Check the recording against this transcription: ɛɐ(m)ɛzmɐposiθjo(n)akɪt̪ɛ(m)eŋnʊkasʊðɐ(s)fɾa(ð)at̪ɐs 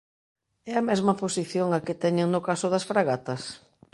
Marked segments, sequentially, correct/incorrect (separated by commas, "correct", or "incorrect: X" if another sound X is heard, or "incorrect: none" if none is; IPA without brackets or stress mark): correct, incorrect: ŋ, incorrect: ɲ, correct, incorrect: ɣ